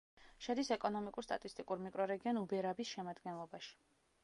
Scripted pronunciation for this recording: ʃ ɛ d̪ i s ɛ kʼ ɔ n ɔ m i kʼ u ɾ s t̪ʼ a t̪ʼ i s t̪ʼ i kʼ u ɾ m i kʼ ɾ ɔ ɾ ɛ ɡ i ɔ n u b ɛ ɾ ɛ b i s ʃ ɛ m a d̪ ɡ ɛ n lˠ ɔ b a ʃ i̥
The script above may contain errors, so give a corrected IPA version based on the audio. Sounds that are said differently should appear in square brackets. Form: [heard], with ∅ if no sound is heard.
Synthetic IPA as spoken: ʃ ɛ d̪ i s ɛ kʼ ɔ n ɔ m i kʼ u ɾ s t̪ʼ a t̪ʼ i s t̪ʼ i kʼ u ɾ m i kʼ ɾ ɔ ɾ ɛ ɡ i ɔ n u b ɛ ɾ [a] b i s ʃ ɛ m a d̪ ɡ ɛ n lˠ ɔ b a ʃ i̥